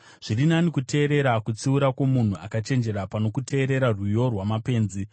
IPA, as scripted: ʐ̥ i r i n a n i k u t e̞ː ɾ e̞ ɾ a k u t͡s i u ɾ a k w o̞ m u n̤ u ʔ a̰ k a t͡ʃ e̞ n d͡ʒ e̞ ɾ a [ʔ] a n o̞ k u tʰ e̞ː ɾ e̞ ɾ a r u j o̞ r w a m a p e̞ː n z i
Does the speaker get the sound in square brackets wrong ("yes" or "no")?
yes